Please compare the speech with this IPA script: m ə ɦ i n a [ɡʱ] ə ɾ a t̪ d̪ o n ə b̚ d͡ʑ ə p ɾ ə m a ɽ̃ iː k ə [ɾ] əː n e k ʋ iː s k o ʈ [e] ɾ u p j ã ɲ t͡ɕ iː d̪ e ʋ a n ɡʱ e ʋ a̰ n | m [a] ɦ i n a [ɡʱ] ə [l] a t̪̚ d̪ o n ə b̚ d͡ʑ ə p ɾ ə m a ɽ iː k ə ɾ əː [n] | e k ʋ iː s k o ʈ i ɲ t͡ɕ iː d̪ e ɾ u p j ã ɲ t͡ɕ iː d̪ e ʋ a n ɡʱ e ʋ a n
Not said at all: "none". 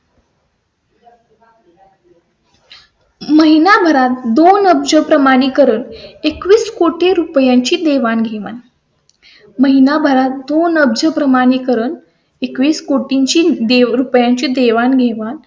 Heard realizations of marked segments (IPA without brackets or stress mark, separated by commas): bʱ, ɾ, e, ə, bʱ, ɾ, n